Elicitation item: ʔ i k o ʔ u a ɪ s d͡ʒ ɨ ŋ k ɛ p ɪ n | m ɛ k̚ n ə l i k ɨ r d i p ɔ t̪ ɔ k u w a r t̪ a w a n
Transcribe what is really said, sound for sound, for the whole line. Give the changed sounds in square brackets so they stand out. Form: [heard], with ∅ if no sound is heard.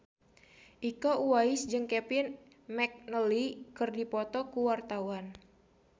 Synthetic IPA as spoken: ʔ i k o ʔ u a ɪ s d͡ʒ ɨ ŋ k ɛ p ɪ n | m ɛ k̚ n ə l i k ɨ r d i p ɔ t̪ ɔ k u w a r t̪ a w a n